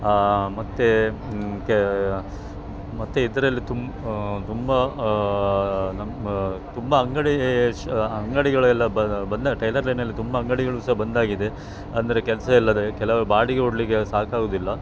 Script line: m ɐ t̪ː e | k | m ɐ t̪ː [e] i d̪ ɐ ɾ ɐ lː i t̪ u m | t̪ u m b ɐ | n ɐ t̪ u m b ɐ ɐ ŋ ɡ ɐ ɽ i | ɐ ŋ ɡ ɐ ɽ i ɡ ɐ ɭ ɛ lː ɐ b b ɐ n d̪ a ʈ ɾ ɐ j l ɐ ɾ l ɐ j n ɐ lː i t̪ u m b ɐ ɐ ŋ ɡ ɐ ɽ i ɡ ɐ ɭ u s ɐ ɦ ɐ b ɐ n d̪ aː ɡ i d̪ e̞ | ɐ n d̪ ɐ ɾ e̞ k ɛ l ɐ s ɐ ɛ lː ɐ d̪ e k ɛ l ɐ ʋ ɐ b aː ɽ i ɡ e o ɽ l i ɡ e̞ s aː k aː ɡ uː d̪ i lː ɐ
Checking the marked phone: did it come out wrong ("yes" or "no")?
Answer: no